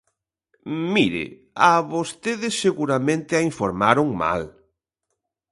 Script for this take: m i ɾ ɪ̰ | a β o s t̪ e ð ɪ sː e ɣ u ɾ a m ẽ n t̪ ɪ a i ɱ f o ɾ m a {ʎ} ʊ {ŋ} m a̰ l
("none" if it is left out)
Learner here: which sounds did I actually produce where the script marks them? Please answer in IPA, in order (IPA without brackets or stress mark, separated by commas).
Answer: ɾ, ŋ